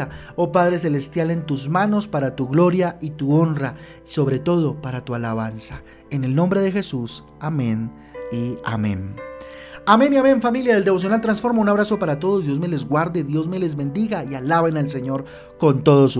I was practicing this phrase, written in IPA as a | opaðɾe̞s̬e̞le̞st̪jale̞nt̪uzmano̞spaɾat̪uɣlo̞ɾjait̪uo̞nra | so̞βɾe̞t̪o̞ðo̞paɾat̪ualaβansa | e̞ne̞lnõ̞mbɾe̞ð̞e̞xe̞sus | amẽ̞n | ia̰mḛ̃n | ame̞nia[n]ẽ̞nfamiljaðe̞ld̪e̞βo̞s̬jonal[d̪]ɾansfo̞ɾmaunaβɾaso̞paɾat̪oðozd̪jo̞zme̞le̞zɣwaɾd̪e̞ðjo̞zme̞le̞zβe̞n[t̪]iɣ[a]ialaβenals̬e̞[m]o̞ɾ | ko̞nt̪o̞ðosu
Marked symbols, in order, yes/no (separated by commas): no, no, no, yes, no